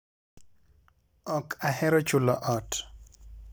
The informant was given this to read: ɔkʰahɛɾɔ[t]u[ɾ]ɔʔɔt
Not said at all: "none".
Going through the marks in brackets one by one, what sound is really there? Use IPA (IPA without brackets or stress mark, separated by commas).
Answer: t͡ʃ, l